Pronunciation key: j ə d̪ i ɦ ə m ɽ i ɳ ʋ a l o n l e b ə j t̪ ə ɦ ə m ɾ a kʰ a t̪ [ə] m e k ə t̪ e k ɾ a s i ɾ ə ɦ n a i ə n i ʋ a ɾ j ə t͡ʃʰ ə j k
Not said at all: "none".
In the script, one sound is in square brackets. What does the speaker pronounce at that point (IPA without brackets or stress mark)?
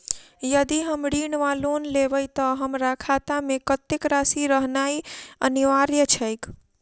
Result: a